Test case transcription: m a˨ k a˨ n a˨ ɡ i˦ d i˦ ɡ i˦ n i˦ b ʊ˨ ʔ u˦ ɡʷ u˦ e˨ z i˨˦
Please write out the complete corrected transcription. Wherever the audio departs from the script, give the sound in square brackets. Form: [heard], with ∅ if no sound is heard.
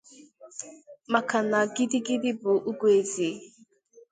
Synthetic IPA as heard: m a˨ k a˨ n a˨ ɡ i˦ d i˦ ɡ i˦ [d] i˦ b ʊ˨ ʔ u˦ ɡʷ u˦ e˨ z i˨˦